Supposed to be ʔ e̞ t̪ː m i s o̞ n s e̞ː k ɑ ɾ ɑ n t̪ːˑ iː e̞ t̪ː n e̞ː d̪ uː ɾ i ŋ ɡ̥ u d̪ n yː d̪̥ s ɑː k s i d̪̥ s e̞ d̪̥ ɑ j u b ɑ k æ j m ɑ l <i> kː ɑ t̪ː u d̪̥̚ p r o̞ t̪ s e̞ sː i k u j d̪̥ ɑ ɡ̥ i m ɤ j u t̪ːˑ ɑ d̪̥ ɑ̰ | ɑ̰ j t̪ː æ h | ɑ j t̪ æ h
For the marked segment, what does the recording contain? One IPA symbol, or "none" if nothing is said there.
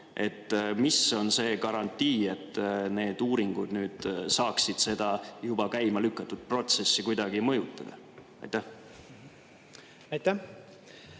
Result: y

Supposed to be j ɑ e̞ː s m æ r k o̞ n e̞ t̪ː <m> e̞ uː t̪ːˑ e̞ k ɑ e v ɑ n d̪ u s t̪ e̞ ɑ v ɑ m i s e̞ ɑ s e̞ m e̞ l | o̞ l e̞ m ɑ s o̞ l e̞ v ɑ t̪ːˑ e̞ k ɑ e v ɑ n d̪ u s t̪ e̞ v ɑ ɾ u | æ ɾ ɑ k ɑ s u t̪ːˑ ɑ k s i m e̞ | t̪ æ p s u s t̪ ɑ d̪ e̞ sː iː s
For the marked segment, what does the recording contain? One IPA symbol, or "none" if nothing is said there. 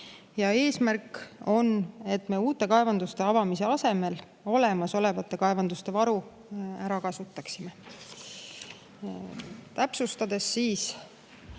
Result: m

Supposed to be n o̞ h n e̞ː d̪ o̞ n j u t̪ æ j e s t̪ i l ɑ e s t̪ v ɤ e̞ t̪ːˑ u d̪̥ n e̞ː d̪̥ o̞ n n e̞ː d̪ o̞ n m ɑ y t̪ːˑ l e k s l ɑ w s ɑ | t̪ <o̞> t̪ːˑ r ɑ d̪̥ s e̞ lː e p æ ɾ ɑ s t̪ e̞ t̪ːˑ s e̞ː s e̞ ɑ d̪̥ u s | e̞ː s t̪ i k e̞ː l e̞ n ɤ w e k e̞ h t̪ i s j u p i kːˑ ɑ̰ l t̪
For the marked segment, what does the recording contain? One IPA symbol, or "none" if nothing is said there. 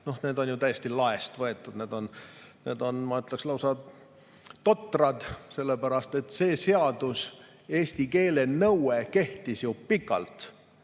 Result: o̞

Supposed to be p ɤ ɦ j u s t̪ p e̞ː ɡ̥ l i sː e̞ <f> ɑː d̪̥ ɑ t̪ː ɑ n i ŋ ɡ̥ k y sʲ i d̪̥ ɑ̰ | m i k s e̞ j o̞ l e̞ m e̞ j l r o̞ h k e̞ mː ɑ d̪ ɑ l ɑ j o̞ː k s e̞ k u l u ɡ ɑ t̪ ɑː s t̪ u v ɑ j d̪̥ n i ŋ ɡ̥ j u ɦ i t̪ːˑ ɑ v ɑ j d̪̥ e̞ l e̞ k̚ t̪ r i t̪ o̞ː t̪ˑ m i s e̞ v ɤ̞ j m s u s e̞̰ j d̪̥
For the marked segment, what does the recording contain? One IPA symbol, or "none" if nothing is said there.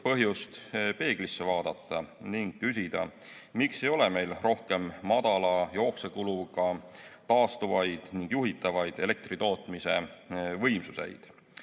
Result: v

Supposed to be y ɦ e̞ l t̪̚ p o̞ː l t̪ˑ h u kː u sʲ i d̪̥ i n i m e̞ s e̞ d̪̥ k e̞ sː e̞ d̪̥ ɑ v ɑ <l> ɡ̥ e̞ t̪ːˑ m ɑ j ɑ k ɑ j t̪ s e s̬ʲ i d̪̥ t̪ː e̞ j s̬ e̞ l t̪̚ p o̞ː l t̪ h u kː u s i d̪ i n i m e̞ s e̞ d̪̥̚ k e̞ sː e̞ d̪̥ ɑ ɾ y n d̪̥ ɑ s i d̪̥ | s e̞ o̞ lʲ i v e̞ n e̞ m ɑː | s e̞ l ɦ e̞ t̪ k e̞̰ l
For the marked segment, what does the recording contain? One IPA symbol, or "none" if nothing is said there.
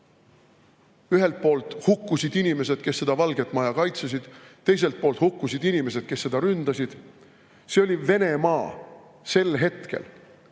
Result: l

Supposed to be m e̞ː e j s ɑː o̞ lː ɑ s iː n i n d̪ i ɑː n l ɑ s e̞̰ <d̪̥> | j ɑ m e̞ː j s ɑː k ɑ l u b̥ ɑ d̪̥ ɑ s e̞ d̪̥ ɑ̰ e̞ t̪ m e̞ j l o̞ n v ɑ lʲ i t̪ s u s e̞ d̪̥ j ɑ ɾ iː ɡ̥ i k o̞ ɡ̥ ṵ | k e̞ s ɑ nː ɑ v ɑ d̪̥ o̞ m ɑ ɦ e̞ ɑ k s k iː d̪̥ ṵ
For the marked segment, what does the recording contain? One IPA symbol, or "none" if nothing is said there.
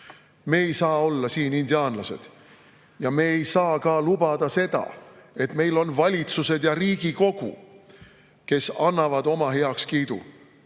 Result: d̪̥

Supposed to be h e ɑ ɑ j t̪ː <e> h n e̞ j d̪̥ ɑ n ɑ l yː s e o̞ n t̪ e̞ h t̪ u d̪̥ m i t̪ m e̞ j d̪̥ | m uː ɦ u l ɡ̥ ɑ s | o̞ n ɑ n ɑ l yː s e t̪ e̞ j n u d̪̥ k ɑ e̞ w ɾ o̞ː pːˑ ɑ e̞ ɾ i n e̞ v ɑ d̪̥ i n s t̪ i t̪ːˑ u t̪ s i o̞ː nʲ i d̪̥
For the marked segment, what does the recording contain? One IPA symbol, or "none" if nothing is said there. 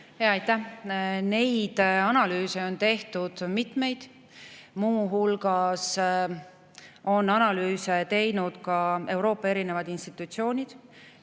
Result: æ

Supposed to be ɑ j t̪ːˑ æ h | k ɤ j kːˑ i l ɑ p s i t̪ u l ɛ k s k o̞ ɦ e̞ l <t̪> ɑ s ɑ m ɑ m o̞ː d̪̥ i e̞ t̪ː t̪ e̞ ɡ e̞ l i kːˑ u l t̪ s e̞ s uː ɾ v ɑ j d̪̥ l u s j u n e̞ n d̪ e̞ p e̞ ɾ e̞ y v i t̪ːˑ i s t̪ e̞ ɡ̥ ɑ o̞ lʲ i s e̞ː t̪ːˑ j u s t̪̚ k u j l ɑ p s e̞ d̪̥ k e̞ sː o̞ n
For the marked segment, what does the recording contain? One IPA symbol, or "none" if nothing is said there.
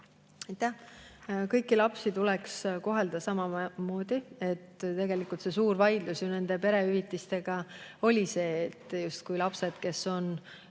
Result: d̪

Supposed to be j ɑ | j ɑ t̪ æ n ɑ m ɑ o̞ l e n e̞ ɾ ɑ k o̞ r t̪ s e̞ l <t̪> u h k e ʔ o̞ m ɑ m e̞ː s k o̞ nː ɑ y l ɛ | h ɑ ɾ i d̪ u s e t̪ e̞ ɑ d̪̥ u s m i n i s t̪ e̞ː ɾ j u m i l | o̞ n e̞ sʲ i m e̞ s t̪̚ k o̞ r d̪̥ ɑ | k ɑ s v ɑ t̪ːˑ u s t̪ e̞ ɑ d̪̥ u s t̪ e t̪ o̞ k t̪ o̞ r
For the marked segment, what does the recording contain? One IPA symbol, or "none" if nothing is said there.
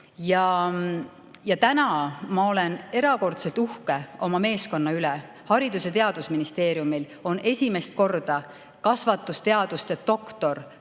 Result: t̪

